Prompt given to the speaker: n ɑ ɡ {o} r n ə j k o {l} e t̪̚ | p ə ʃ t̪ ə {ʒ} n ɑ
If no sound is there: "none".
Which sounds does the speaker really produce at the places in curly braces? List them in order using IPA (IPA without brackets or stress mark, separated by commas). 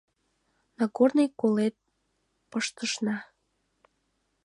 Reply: o, l, ʃ